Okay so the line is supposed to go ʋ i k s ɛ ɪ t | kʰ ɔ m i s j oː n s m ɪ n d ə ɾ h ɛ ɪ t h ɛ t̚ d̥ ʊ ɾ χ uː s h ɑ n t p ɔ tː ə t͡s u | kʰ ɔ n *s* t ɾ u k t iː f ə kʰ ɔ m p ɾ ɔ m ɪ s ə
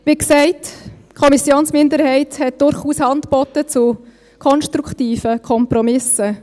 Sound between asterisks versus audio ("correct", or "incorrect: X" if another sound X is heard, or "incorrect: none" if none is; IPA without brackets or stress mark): incorrect: ʃ